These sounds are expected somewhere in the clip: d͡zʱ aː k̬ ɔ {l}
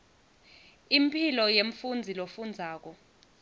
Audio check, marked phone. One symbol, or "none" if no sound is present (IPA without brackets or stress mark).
none